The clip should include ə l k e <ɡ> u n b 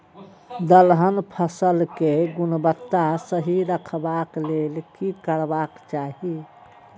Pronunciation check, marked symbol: correct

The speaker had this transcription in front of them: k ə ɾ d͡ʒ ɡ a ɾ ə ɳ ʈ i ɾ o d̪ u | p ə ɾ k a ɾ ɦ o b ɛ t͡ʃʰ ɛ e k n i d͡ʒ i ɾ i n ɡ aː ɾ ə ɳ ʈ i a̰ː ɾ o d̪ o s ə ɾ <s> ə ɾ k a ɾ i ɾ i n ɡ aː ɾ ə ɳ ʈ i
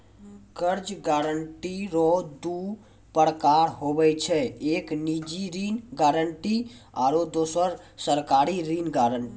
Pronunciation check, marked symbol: correct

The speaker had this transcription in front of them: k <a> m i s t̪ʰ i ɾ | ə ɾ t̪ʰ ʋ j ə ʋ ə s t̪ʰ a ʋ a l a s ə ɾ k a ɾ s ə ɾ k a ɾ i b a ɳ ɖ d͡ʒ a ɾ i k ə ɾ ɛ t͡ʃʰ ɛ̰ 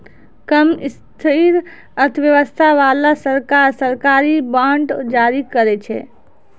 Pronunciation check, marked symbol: incorrect: ə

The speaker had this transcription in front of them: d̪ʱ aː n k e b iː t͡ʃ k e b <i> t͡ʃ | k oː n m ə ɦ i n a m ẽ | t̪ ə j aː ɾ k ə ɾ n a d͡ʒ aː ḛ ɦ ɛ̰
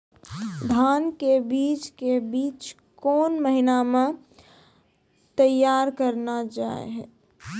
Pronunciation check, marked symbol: incorrect: iː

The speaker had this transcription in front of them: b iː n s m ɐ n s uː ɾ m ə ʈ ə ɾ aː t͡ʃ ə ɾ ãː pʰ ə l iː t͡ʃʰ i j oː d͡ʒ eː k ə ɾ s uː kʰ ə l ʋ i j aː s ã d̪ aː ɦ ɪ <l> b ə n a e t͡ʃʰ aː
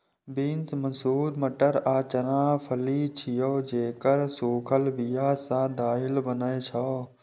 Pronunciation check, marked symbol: correct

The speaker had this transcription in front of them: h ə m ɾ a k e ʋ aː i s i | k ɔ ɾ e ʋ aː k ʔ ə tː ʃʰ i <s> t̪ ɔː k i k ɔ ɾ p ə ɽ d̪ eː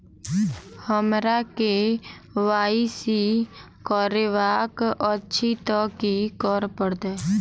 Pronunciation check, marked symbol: incorrect: none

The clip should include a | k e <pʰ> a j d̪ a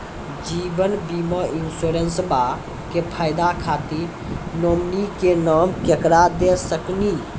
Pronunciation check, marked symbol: correct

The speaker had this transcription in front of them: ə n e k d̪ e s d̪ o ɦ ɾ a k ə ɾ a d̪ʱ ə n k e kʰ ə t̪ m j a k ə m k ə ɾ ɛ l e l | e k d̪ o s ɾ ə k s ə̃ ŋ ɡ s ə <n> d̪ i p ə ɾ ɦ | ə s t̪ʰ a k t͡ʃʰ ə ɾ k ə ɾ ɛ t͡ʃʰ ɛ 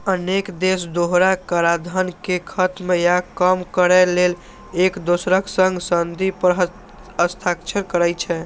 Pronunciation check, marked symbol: correct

